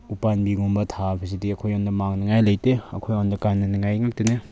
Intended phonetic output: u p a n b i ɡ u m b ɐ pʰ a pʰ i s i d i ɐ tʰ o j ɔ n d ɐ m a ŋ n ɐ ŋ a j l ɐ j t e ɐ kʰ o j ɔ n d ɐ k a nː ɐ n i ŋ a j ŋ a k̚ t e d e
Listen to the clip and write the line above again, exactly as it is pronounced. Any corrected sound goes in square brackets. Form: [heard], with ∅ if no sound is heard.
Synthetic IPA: u p a n b i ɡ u m b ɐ [tʰ] a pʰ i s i d i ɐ [kʰ] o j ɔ n d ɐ m a ŋ n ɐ ŋ a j l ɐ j t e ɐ kʰ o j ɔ n d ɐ k a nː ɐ n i ŋ a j ŋ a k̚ t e [n] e

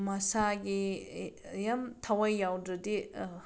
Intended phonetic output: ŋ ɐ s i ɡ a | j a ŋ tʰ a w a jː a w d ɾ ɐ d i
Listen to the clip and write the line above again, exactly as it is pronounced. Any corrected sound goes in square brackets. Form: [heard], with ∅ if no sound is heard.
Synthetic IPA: [m] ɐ s [a] ɡ [i] | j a [m] tʰ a w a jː a w d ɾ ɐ d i

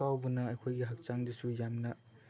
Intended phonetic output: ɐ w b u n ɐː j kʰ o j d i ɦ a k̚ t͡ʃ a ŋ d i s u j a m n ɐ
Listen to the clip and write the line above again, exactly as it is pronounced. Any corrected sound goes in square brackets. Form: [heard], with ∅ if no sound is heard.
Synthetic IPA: [a] w b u n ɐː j kʰ o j [ɡ] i ɦ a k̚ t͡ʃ a ŋ d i s u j a m n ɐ

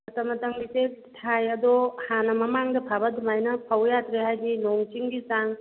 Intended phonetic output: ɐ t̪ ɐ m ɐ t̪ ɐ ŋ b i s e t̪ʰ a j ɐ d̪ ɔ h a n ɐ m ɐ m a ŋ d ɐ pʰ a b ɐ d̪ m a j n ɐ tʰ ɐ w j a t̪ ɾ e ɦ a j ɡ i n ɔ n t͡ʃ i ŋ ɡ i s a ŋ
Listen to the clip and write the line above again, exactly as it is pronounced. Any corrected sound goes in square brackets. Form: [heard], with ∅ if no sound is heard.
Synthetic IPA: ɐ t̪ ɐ m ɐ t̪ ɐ ŋ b i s e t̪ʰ a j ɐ d̪ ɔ h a n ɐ m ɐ m a ŋ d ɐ pʰ a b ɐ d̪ m a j n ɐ [pʰ] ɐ w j a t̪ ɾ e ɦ a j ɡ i n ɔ [ŋ] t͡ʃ i ŋ ɡ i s a ŋ

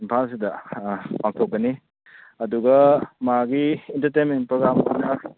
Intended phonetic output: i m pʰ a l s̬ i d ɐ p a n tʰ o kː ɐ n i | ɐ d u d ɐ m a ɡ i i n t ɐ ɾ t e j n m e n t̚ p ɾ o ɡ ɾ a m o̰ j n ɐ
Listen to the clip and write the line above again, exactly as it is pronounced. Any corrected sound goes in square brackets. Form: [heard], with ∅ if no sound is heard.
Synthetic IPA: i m pʰ a l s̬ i d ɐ p a [ŋ] tʰ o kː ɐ n i | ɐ d u [ɡ] ɐ m a ɡ i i n t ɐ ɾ t e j n m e n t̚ p ɾ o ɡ ɾ a m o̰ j n ɐ

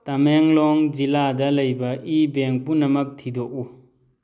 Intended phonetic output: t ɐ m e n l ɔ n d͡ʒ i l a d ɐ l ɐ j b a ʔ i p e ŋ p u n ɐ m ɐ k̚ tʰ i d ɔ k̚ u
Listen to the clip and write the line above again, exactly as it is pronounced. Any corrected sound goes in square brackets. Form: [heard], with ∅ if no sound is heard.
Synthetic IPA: t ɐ m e [ŋ] l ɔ [ŋ] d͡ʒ i l a d ɐ l ɐ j b [ɐ] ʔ i [b] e ŋ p u n ɐ m ɐ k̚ tʰ i d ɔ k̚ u

